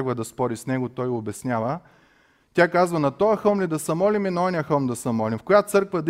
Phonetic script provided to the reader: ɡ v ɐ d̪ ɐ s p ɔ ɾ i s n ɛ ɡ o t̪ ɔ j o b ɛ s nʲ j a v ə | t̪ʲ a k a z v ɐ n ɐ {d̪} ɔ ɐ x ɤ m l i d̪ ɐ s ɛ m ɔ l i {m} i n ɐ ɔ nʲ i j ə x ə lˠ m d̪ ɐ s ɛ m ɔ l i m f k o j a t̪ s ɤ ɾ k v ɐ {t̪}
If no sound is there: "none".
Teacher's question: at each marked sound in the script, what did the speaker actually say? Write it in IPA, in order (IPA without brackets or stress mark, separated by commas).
t̪, m, d̪